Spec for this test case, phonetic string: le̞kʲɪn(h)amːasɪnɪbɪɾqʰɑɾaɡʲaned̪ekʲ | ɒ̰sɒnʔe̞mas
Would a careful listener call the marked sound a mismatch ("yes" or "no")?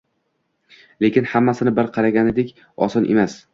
no